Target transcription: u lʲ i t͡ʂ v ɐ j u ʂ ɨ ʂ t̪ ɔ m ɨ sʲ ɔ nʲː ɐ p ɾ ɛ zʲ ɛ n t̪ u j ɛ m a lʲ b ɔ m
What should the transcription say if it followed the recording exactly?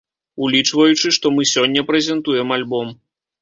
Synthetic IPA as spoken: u lʲ i t͡ʂ v ɐ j u t͡ʂ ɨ ʂ t̪ ɔ m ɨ sʲ ɔ nʲː ɐ p ɾ ɛ zʲ ɛ n t̪ u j ɛ m a lʲ b ɔ m